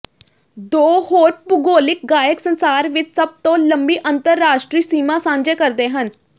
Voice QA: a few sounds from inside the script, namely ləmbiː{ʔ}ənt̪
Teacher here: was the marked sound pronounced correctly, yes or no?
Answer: yes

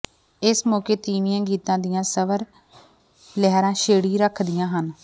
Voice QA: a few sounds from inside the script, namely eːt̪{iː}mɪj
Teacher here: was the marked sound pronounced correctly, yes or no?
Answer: yes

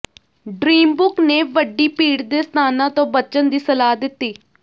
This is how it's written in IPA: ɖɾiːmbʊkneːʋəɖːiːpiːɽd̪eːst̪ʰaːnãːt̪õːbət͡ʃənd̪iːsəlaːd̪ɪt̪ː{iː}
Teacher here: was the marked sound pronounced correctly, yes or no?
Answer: yes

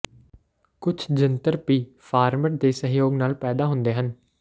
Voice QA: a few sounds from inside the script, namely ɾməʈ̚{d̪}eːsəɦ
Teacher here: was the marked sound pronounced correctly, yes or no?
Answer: yes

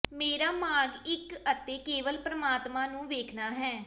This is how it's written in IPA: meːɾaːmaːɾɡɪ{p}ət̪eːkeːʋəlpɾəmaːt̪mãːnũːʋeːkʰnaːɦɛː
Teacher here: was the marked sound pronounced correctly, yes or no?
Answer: no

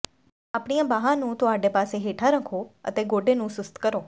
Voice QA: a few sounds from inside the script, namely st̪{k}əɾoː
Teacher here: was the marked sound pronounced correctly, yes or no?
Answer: yes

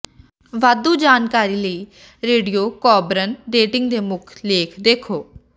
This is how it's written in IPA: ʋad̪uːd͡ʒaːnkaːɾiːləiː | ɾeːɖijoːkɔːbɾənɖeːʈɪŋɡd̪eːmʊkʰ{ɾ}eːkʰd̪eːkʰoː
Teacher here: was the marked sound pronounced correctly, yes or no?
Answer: no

